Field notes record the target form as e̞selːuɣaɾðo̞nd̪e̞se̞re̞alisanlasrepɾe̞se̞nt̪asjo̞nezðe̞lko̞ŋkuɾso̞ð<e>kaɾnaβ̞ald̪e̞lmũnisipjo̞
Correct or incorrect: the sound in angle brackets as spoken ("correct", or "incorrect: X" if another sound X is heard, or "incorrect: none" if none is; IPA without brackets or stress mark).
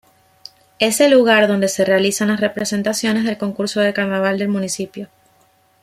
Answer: correct